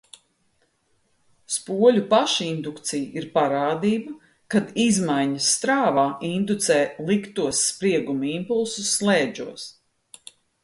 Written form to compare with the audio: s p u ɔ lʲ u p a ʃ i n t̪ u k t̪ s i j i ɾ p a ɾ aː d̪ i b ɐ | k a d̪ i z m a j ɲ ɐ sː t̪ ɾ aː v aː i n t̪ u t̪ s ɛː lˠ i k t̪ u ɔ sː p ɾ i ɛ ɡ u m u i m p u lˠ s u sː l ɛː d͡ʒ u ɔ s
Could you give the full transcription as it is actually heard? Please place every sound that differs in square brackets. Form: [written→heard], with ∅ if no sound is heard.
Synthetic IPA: s p u ɔ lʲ u p a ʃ i n [t̪→d̪] u k t̪ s i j i ɾ p a ɾ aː d̪ [i→iː] b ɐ | k a d̪ i z m a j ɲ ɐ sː t̪ ɾ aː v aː i n [t̪→d̪] u t̪ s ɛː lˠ i k t̪ u ɔ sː p ɾ i ɛ ɡ u m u i m p u lˠ s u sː l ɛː d͡ʒ u ɔ s